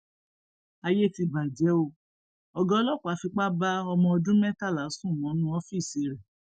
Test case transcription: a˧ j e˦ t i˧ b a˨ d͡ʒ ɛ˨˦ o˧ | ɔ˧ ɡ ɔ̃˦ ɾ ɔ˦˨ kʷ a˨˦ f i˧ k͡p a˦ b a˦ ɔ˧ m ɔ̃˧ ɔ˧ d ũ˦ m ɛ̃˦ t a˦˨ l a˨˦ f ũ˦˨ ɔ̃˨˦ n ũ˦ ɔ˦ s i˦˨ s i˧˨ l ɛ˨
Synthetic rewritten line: a˧ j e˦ t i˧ b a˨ d͡ʒ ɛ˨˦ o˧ | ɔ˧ ɡ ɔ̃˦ l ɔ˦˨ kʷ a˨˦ f i˧ k͡p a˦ b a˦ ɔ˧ m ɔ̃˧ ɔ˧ d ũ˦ m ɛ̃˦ t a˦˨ l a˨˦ s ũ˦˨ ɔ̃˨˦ n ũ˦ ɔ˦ f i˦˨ s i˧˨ ɾ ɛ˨